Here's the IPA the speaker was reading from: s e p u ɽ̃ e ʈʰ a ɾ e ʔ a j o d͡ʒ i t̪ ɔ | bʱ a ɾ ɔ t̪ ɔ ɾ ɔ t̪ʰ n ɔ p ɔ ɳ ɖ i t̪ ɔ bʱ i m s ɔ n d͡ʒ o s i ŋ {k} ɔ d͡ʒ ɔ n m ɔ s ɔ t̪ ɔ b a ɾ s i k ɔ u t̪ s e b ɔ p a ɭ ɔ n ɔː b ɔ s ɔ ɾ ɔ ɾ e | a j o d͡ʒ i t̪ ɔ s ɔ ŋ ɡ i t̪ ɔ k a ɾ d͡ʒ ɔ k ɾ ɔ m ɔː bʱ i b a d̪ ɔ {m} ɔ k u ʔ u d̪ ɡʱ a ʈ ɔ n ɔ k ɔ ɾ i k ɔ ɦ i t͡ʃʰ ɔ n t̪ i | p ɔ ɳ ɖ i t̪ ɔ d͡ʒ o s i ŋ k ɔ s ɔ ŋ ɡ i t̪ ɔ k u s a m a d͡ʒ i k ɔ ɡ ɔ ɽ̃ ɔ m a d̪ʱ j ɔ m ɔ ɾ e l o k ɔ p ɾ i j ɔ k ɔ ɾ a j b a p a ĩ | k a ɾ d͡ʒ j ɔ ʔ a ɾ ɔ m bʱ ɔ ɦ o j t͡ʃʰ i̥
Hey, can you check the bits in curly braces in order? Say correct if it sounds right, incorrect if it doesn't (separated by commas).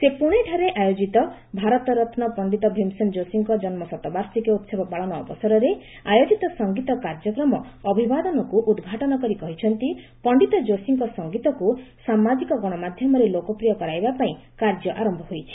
correct, incorrect